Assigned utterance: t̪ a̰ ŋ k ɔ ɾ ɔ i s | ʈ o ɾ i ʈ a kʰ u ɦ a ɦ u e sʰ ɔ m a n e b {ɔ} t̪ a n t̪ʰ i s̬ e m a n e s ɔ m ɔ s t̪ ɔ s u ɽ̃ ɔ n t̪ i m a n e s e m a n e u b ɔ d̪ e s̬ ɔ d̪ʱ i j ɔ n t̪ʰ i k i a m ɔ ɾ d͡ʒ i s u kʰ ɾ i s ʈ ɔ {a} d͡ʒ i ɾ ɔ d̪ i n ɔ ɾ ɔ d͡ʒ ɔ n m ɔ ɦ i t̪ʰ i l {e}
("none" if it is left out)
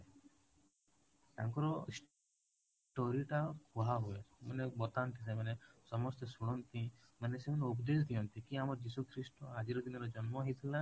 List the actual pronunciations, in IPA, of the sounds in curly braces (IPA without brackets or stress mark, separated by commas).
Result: ɔ, a, a